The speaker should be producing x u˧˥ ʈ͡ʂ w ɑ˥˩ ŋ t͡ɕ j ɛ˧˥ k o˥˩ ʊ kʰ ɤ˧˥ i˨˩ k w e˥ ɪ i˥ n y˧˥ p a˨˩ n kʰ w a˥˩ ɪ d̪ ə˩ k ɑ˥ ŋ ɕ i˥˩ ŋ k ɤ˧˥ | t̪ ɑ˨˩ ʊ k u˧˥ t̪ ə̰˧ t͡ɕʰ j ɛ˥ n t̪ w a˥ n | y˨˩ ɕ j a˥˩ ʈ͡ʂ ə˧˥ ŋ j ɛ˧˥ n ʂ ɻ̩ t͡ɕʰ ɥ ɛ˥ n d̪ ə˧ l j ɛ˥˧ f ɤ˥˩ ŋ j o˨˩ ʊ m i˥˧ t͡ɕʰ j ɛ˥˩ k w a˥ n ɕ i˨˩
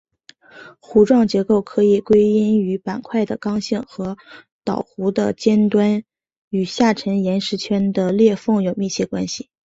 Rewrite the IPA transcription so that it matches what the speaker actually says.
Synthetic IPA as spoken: x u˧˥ ʈ͡ʂ w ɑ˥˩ ŋ t͡ɕ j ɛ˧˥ k o˥˩ ʊ kʰ ɤ˧˥ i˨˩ k w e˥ ɪ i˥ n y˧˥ p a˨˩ n kʰ w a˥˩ ɪ d̪ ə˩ k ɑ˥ ŋ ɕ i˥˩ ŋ x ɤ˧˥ | t̪ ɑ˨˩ ʊ x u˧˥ d̪ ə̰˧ t͡ɕ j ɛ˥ n t̪ w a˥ n | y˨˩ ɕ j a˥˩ ʈ͡ʂʰ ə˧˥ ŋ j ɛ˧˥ n ʂ ɻ̩ t͡ɕʰ ɥ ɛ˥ n d̪ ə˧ l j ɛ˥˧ f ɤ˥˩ ŋ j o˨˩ ʊ m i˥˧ t͡ɕʰ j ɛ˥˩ k w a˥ n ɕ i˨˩

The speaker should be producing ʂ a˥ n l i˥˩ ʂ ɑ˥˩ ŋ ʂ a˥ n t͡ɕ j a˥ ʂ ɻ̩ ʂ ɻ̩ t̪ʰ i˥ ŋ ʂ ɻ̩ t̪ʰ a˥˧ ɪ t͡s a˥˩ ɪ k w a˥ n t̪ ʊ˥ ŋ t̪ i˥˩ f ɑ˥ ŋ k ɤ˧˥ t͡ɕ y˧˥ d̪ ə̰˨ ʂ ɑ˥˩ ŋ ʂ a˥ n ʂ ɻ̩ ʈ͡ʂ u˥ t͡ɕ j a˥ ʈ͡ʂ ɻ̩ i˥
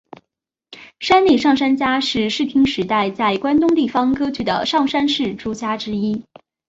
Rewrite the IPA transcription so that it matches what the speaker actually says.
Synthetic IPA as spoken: ʂ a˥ n l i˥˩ ʂ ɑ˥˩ ŋ ʂ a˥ n t͡ɕ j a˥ ʂ ɻ̩ ʂ ɻ̩ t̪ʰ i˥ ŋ ʂ ɻ̩ t̪ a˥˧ ɪ t͡s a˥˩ ɪ k w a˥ n t̪ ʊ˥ ŋ t̪ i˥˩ f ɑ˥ ŋ k ɤ˥ t͡ɕ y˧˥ d̪ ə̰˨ ʂ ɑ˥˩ ŋ ʂ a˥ n ʂ ɻ̩ ʈ͡ʂ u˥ t͡ɕ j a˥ ʈ͡ʂ ɻ̩ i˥

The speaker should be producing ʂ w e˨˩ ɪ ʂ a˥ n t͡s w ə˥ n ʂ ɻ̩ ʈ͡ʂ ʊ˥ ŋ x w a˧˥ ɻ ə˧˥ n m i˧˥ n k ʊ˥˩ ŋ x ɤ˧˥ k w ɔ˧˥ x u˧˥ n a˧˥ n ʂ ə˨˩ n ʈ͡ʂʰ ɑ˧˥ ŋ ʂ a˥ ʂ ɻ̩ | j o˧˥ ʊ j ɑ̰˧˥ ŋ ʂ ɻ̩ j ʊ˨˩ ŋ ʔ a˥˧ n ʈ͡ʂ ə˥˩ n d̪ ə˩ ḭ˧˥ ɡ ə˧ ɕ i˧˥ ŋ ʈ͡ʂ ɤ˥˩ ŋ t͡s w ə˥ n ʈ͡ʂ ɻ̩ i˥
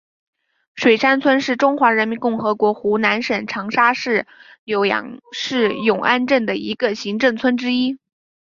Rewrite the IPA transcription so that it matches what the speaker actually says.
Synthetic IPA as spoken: ʂ w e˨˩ ɪ ʂ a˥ n t͡sʰ w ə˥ n ʂ ɻ̩ ʈ͡ʂ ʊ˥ ŋ x w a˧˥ ɻ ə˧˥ n m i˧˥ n k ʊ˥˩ ŋ x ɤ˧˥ k w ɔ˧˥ x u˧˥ n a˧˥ n ʂ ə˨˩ n ʈ͡ʂʰ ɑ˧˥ ŋ ʂ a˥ ʂ ɻ̩ | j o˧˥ ʊ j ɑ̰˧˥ ŋ ʂ ɻ̩ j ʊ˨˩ ŋ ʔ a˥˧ n ʈ͡ʂ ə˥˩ n d̪ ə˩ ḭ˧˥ ɡ ə˧ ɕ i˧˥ ŋ ʈ͡ʂ ɤ˥˩ ŋ t͡sʰ w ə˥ n ʈ͡ʂ ɻ̩ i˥

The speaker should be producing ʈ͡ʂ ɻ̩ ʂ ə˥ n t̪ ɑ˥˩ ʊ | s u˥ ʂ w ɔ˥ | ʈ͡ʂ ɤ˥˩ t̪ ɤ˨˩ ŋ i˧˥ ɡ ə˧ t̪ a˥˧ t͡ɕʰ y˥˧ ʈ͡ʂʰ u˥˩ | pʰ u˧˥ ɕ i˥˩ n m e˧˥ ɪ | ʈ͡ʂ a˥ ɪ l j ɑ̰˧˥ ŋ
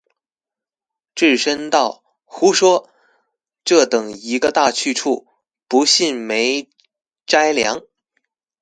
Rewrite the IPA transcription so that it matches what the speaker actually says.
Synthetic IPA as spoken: ʈ͡ʂ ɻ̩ ʂ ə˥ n t̪ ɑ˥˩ ʊ | x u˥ ʂ w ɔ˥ | ʈ͡ʂ ɤ˥˩ t̪ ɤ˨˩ ŋ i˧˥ ɡ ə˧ t̪ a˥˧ t͡ɕʰ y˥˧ ʈ͡ʂʰ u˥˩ | p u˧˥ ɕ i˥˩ n m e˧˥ ɪ | ʈ͡ʂ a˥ ɪ l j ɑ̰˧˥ ŋ

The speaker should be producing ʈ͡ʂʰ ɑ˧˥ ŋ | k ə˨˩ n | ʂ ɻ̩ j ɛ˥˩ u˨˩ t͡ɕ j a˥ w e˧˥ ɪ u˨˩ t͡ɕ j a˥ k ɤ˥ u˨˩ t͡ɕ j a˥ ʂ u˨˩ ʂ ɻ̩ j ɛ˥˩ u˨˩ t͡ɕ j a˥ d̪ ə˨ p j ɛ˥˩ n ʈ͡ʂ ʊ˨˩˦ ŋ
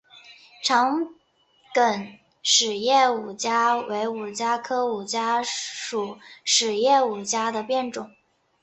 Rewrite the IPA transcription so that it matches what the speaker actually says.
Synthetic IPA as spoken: ʈ͡ʂʰ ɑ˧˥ ŋ | k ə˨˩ n | ʂ ɻ̩ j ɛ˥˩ u˨˩ t͡ɕ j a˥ w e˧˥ ɪ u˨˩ t͡ɕ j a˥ kʰ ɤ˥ u˨˩ t͡ɕ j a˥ ʂ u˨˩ ʂ ɻ̩ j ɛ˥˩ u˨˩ t͡ɕ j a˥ d̪ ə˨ p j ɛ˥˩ n ʈ͡ʂ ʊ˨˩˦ ŋ

